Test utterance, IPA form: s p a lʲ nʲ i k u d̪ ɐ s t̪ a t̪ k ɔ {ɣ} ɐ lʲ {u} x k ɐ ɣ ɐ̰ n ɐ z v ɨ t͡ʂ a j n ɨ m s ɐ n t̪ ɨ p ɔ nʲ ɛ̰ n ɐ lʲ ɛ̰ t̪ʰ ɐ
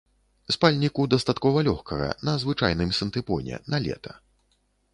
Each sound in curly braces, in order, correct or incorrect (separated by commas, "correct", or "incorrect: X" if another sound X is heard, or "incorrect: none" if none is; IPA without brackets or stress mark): incorrect: v, incorrect: ɔ